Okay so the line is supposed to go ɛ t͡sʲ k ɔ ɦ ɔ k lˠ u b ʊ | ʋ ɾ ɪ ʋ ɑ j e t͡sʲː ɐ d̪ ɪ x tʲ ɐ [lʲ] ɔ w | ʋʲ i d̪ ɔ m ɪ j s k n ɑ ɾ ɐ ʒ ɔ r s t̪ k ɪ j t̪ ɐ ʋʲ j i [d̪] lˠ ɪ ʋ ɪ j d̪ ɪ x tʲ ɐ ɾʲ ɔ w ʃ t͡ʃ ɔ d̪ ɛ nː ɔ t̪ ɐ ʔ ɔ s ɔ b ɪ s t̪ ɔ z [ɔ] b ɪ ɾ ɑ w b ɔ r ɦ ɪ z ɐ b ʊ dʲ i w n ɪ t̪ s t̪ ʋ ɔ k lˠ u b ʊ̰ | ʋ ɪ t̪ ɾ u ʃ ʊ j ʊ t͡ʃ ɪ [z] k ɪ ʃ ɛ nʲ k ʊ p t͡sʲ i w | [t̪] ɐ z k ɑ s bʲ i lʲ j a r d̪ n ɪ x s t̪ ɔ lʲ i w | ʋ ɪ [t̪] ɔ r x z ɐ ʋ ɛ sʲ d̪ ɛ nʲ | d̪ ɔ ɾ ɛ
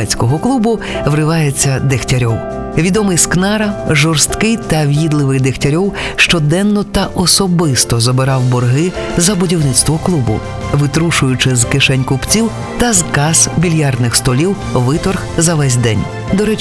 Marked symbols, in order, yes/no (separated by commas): no, yes, yes, yes, yes, yes